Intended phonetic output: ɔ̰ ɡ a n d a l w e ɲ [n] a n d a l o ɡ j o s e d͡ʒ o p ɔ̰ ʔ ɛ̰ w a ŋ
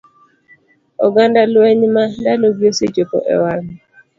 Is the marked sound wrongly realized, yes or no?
yes